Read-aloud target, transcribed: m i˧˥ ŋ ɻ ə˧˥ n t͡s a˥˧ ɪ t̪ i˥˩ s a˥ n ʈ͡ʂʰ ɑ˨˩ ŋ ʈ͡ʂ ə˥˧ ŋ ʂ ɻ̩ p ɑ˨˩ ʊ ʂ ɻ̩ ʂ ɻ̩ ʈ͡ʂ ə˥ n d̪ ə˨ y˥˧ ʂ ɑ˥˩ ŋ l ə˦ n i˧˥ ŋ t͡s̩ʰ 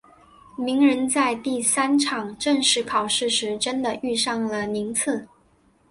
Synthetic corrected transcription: m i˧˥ ŋ ɻ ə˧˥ n t͡s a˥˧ ɪ t̪ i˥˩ s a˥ n ʈ͡ʂʰ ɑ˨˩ ŋ ʈ͡ʂ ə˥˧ ŋ ʂ ɻ̩ pʰ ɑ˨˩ ʊ ʂ ɻ̩ ʂ ɻ̩ ʈ͡ʂ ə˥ n d̪ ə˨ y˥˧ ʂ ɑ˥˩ ŋ l ə˩ n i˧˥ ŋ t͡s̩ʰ